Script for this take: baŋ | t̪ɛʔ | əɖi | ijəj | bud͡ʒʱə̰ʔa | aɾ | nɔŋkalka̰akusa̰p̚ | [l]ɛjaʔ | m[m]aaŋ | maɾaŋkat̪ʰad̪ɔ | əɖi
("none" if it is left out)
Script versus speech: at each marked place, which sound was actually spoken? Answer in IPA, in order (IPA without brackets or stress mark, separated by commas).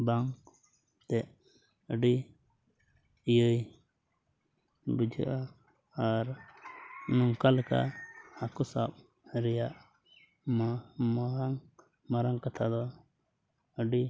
ɾ, m